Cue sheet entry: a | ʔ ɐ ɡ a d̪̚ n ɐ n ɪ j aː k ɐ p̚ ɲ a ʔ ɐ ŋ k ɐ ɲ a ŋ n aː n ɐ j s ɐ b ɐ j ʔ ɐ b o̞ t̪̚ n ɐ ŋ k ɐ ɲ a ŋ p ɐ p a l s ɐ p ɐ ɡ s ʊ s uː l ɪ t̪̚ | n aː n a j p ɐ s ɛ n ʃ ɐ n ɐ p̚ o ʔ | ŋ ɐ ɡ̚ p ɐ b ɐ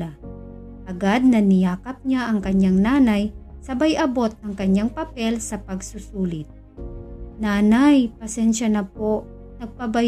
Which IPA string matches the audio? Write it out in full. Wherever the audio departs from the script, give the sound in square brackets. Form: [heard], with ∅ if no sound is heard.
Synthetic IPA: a | ʔ ɐ ɡ a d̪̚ n ɐ n ɪ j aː k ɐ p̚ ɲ a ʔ ɐ ŋ k ɐ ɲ a ŋ n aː n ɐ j s ɐ b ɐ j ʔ ɐ b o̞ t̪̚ n ɐ ŋ k ɐ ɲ a ŋ p ɐ p [ɛ] l s ɐ p ɐ ɡ s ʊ s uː l ɪ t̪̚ | n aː n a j p ɐ s ɛ n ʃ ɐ n ɐ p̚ o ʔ | [n] ɐ ɡ̚ p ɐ b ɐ